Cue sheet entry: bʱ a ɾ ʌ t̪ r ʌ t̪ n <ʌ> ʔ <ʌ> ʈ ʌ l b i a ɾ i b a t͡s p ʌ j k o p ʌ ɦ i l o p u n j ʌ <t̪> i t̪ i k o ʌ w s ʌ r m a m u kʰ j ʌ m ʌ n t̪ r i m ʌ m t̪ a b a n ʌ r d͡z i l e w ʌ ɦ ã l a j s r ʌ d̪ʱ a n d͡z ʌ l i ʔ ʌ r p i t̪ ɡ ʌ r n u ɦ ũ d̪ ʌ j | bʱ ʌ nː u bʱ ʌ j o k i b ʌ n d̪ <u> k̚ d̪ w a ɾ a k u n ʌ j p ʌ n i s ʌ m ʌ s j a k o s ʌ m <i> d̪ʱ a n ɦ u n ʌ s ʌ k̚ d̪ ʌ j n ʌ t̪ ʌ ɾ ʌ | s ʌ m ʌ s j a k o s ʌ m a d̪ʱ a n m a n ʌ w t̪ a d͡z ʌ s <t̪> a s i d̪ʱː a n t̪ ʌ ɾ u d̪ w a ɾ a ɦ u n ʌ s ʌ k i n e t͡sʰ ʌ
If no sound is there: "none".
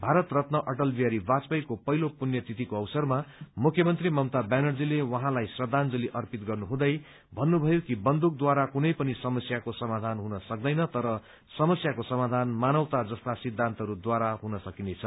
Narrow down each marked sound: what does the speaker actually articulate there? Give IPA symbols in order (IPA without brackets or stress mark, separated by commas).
ʌ, ʌ, t̪, u, a, t̪